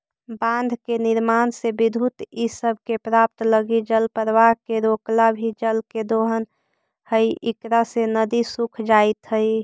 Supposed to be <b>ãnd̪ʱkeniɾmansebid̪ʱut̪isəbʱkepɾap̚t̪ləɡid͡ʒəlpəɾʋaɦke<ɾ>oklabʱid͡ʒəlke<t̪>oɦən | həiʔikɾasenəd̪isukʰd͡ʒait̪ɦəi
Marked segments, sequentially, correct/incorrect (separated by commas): correct, correct, incorrect